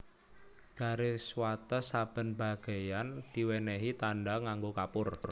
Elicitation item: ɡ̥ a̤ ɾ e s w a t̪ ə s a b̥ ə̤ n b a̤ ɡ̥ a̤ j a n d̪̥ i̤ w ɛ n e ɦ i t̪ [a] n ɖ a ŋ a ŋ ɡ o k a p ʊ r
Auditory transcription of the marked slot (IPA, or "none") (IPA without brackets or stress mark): a